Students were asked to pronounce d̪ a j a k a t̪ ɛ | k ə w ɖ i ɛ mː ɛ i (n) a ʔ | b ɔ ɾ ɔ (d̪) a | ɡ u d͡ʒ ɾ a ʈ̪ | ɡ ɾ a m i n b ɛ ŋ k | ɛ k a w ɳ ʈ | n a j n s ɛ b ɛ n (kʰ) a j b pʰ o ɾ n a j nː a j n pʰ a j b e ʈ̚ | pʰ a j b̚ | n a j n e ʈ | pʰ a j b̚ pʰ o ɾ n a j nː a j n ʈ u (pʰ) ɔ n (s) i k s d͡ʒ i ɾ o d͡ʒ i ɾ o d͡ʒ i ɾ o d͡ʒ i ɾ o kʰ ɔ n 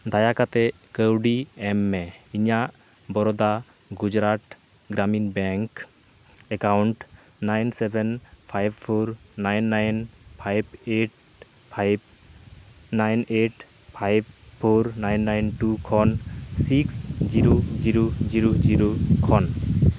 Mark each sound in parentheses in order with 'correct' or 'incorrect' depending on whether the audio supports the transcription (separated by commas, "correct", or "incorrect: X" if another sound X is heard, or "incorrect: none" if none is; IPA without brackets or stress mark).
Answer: incorrect: ɲ, correct, incorrect: pʰ, incorrect: kʰ, correct